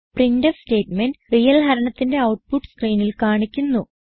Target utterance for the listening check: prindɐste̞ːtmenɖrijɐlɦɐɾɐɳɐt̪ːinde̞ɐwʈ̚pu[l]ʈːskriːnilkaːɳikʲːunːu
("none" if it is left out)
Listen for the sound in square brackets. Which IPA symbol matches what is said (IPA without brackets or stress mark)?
none